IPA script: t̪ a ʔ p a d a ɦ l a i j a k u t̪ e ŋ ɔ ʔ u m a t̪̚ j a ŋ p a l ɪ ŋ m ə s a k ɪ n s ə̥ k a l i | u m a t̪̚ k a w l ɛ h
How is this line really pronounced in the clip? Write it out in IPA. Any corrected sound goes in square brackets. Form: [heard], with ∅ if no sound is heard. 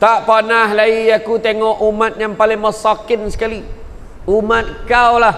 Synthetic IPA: t̪ a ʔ p a [n] a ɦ l a i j a k u t̪ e ŋ ɔ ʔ u m a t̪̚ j a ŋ p a l ɪ ŋ m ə s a k ɪ n s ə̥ k a l i | u m a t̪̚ k a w l [a] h